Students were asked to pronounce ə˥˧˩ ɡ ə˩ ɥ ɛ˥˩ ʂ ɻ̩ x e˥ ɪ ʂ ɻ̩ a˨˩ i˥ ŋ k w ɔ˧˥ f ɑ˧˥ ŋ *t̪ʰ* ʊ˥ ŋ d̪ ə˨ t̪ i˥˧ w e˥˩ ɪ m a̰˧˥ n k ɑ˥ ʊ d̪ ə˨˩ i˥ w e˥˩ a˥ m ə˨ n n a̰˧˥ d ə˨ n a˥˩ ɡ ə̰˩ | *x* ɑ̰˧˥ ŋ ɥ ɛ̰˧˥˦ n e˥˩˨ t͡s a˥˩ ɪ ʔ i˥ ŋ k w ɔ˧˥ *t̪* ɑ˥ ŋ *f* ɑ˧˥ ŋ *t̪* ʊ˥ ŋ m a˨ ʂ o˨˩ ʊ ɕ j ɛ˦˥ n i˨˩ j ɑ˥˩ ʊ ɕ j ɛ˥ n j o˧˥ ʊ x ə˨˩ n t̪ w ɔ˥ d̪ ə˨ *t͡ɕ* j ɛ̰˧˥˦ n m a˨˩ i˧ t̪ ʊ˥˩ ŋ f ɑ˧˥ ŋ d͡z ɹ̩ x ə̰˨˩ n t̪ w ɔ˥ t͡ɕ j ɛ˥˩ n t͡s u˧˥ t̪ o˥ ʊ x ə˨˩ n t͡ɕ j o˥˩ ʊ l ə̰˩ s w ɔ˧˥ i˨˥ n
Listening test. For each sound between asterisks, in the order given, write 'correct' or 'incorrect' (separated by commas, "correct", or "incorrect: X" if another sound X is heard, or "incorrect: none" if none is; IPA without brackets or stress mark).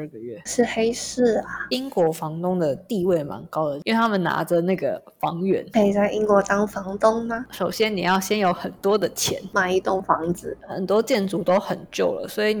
incorrect: t̪, incorrect: f, correct, correct, correct, incorrect: t͡ɕʰ